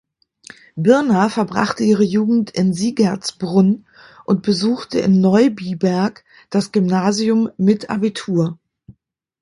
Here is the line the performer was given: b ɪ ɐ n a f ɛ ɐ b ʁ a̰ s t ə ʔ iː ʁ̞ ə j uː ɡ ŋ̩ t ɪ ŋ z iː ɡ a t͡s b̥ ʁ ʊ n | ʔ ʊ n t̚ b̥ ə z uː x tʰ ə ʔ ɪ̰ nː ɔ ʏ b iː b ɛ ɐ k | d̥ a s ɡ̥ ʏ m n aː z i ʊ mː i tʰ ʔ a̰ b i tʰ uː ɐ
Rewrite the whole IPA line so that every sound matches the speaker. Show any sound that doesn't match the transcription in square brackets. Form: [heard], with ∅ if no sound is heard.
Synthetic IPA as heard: b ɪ ɐ n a f ɛ ɐ b ʁ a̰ [χ] t ə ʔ iː ʁ̞ ə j uː ɡ ŋ̩ t ɪ [n] z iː ɡ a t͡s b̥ ʁ ʊ n | ʔ ʊ n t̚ b̥ ə z uː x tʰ ə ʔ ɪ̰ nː ɔ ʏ b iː b ɛ ɐ k | d̥ a s ɡ̥ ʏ m n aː z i ʊ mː [ɪ] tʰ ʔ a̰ b i tʰ uː ɐ